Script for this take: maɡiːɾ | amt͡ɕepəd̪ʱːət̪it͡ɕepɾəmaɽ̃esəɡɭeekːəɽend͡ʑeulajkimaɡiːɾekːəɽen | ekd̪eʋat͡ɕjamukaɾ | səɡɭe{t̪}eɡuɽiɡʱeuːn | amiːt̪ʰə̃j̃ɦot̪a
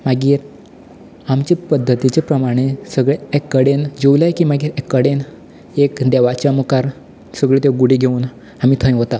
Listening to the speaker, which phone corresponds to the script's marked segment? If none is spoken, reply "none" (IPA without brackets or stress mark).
t̪